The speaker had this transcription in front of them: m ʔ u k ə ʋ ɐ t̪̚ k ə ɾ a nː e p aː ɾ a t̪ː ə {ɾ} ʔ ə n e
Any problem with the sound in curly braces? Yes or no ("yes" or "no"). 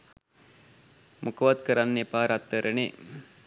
no